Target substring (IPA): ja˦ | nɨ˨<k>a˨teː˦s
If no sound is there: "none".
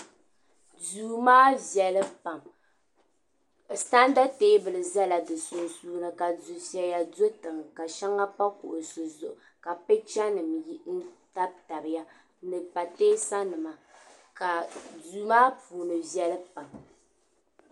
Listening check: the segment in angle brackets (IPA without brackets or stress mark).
p